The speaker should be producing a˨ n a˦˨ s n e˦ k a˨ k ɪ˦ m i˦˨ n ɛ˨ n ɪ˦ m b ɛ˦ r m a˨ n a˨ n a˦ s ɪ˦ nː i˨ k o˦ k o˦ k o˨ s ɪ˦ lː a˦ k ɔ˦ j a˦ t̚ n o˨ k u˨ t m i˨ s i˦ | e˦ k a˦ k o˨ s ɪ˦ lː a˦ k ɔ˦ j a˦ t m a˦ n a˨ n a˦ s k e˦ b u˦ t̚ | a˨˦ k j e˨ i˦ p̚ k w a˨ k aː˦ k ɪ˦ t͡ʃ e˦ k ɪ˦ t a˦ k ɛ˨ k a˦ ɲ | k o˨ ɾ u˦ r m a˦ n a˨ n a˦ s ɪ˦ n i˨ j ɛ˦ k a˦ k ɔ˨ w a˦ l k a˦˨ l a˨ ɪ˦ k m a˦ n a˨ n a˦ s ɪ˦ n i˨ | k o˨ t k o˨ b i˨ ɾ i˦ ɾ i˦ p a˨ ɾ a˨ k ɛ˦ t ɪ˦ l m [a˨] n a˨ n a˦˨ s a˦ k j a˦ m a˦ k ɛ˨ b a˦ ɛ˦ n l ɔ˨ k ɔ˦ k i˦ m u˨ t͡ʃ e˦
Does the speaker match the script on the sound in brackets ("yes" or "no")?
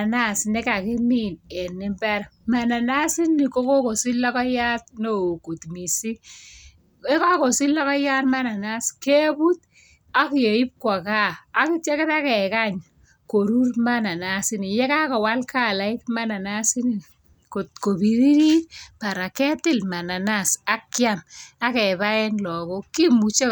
yes